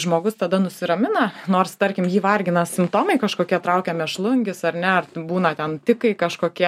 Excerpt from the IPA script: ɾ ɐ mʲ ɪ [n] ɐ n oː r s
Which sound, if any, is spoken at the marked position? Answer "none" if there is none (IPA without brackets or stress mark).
n